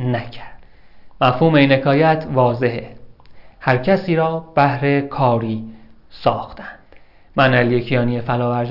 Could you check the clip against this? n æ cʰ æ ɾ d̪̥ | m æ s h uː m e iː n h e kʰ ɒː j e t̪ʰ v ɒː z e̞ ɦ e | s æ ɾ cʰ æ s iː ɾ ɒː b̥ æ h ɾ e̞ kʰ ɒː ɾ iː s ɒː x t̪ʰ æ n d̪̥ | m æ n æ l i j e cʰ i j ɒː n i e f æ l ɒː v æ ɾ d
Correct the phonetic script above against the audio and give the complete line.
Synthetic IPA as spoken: n æ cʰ æ ɾ d̪̥ | m æ f h uː m e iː n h e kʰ ɒː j æ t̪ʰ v ɒː z e̞ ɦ e | h æ ɾ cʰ æ s iː ɾ ɒː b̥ æ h ɾ e̞ kʰ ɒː ɾ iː s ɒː x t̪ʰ æ n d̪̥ | m æ n æ l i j e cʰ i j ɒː n i e f æ l ɒː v æ ɾ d